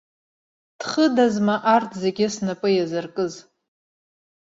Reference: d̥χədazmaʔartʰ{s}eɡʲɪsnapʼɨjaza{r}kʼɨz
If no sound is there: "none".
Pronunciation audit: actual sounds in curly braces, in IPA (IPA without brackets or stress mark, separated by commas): z, r